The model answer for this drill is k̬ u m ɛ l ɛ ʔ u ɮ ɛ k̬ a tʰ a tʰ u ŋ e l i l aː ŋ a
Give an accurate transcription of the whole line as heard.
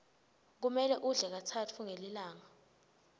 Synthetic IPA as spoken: k̬ u m ɛ l ɛ ʔ u ɮ ɛ k̬ a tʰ a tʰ u ŋ e l i l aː ŋ a